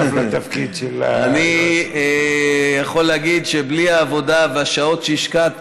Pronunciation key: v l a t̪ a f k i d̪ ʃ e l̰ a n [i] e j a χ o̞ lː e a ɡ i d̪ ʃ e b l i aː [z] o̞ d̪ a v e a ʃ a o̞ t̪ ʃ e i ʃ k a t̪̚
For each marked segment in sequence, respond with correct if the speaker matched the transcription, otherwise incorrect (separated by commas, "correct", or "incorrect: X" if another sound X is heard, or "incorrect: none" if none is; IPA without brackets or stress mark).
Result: correct, incorrect: v